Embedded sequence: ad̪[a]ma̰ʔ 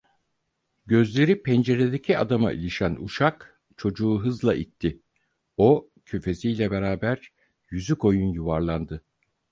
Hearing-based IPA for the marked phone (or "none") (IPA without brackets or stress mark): a